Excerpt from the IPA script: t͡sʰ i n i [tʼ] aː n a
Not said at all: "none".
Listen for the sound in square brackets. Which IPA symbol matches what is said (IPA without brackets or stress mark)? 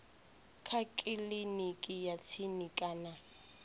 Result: kʼ